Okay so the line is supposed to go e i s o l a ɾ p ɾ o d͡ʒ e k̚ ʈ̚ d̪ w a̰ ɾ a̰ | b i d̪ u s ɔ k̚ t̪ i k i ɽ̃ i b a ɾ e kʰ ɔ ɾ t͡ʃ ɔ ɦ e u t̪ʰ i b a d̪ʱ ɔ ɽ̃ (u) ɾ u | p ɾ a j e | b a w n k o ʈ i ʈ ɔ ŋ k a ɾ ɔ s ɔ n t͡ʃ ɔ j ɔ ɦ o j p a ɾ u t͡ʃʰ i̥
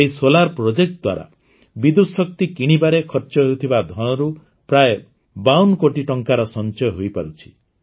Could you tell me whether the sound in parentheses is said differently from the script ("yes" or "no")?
yes